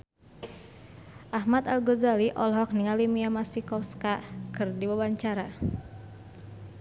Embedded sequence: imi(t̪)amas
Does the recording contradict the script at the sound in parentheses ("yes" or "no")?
yes